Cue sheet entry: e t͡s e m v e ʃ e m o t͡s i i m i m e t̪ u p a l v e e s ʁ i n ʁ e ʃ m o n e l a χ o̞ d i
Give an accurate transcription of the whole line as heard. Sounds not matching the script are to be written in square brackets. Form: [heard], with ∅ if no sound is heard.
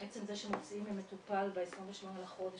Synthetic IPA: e t͡s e m [z] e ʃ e m o t͡s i i m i m e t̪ u p a l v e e s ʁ i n [v] e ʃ m o n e l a χ o̞ d [e]

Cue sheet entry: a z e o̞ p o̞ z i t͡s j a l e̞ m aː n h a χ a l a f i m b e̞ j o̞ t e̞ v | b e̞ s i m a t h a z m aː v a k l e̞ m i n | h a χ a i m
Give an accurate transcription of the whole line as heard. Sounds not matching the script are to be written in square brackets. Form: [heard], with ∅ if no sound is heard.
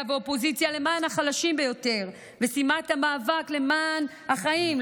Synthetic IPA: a [v] e o̞ p o̞ z i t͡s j a l e̞ m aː n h a χ a l a [ʃ] i m b e̞ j o̞ t e̞ [ʁ] | [v] e̞ s i m a t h a [∅] m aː v a k l e̞ m [a] n | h a χ a i m

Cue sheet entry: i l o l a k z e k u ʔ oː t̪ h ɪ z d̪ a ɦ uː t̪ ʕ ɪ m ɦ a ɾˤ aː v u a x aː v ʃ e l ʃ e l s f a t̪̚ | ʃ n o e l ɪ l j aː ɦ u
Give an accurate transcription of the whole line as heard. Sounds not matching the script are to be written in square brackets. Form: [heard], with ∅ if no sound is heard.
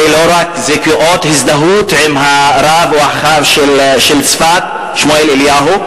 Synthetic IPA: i l o [ɾ] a k z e k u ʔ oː t̪ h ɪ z d̪ a ɦ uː t̪ ʕ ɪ m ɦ a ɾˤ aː v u a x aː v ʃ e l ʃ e l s f a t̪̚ | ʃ [m] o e l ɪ l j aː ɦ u

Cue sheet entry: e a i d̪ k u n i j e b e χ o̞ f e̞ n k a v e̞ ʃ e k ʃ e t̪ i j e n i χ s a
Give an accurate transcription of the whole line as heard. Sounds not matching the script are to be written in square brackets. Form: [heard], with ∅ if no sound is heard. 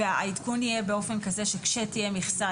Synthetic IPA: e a i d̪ k u n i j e b e [∅] o̞ f e̞ n k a [z] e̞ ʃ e k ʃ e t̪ i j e [m] i χ s a

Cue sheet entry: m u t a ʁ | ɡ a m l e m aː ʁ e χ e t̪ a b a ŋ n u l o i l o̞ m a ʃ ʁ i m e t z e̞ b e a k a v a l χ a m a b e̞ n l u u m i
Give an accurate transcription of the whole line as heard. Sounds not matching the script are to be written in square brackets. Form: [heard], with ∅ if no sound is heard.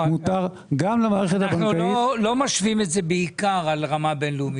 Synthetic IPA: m u t a ʁ | ɡ a m l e m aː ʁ e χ e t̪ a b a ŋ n u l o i l o̞ m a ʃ [v] i m e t z e̞ b e [i] k a [ʁ] a l [ʁ] a m a b e̞ n l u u m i

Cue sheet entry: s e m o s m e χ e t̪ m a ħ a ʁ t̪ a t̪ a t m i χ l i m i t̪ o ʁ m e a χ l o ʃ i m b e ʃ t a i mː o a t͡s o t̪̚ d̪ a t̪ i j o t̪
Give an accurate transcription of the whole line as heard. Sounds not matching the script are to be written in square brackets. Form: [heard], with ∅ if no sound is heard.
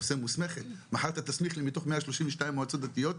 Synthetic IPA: s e m [u] s m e χ e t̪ m a ħ a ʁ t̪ a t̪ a [s] m i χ l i m i t̪ o [χ] m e a [ʃ] l o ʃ i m [v] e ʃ t a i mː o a t͡s o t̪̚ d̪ a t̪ i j o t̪

